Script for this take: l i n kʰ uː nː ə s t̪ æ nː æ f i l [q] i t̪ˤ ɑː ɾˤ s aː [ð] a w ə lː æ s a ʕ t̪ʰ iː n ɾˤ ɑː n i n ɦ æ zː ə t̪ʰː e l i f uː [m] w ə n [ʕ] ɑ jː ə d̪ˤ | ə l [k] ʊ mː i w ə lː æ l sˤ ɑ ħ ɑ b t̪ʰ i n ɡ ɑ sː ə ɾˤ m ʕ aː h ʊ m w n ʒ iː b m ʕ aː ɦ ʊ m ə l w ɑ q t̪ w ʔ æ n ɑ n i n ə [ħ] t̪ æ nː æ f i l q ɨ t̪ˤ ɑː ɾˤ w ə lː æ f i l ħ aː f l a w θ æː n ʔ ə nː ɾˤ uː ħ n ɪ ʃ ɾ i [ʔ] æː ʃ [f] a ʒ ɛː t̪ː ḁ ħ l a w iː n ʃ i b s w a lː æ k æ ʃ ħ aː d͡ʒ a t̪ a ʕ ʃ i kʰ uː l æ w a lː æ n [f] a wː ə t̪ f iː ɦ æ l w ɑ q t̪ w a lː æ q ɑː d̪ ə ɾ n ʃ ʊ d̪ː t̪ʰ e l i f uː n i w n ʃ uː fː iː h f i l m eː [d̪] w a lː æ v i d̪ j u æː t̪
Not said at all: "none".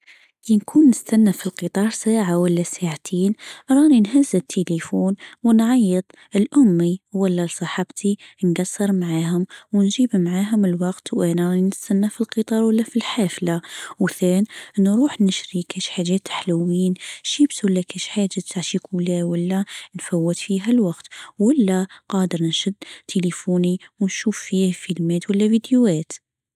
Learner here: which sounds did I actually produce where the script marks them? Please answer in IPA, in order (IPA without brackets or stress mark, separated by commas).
q, ʕ, n, ʕ, ʔ, s, k, ħ, f, t̪